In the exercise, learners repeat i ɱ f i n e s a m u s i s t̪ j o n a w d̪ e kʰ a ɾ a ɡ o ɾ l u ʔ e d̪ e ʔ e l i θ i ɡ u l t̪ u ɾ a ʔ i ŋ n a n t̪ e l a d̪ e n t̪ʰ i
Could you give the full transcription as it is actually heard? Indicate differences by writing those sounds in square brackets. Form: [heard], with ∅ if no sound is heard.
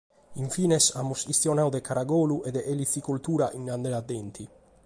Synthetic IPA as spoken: i ɱ f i n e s a m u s i s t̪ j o n a w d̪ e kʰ a ɾ a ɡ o [∅] l u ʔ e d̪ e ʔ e l i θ i [k] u l t̪ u ɾ a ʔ i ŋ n a n [d̪] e l a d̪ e n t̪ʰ i